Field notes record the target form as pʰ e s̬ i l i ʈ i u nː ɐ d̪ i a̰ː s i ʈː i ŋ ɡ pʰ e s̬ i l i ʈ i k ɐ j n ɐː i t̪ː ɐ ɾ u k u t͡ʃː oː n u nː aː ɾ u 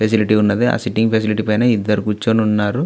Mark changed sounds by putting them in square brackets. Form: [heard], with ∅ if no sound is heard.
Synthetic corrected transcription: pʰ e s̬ i l i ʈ i u nː ɐ d̪ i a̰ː s i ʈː i ŋ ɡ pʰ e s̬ i l i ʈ i [p] ɐ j n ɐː i [d̪ː] ɐ ɾ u k u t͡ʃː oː n u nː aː ɾ u